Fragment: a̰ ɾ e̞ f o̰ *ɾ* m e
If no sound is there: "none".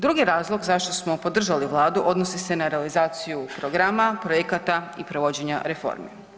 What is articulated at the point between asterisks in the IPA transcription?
ɾ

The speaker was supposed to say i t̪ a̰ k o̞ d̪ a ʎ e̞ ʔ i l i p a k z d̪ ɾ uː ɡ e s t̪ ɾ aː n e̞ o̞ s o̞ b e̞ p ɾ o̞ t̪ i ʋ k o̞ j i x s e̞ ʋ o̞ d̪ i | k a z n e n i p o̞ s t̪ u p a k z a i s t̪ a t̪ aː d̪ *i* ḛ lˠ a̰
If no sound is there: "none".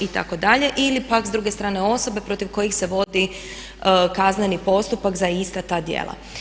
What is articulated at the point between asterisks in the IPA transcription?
j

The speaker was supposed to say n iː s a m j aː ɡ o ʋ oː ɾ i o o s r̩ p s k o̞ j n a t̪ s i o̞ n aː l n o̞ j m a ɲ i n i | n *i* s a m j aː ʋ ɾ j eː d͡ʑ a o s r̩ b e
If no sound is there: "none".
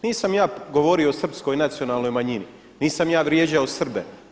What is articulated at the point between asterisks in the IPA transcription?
iː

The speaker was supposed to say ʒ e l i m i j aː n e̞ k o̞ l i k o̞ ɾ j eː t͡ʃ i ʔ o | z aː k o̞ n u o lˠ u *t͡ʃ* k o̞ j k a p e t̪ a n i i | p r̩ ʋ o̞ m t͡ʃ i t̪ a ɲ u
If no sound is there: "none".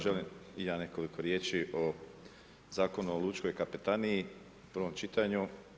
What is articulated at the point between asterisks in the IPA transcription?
t͡ʃ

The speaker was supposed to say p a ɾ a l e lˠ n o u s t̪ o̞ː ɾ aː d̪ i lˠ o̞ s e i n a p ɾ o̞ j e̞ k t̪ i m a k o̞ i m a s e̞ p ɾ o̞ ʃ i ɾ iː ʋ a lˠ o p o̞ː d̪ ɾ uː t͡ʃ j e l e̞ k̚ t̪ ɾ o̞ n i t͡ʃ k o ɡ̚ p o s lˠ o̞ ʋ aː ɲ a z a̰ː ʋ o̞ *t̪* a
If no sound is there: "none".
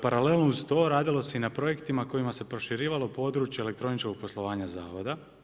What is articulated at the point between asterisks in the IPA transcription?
d̪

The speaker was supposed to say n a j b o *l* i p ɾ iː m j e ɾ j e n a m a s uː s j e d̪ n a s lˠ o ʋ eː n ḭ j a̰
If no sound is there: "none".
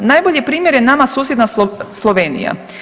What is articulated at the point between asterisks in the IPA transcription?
ʎ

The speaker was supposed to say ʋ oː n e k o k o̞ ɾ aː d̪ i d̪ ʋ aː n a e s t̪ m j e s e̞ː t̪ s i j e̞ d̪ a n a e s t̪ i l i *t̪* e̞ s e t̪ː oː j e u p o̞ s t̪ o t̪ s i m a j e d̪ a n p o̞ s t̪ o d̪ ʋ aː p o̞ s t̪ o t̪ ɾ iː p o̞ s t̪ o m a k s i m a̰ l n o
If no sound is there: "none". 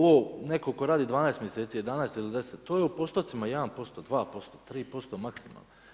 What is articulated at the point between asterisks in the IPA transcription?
d̪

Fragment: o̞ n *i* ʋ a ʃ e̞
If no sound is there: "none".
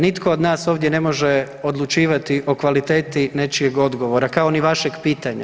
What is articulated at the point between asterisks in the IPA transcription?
i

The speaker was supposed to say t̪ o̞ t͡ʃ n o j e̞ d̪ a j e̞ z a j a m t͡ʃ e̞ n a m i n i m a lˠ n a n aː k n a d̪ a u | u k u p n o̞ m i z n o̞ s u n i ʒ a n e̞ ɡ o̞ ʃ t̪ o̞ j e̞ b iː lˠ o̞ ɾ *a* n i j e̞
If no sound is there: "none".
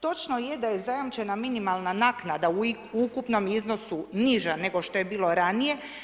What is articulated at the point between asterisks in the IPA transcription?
a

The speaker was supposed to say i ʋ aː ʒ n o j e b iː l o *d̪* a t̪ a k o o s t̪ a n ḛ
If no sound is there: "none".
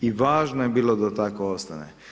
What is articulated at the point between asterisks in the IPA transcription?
d̪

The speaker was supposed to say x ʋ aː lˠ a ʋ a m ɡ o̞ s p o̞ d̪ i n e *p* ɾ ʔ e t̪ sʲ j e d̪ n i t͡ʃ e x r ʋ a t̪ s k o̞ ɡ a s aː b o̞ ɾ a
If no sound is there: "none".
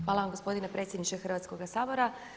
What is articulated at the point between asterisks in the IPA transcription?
p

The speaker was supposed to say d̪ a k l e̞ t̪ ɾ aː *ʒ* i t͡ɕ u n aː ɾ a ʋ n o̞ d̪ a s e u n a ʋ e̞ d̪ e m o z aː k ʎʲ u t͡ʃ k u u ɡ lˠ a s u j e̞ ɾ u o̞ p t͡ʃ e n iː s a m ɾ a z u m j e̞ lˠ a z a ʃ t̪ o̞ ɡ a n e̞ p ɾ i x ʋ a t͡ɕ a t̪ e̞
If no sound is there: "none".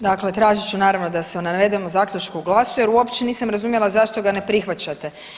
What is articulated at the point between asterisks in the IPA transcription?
ʒ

